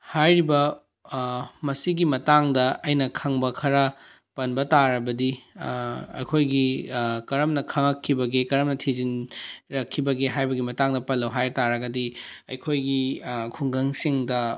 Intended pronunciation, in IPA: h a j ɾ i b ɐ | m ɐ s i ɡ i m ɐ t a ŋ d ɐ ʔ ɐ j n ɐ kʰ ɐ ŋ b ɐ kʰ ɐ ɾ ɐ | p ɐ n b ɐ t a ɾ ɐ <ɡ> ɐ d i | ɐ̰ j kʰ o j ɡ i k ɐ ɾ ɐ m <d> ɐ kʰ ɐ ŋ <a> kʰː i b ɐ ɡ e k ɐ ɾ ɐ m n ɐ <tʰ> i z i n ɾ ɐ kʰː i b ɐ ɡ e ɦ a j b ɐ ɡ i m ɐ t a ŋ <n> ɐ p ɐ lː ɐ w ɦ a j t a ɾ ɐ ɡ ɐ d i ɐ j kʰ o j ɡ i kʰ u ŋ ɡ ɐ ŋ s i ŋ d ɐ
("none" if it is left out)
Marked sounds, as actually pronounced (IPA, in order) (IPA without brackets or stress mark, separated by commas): b, n, ɐ, tʰ, d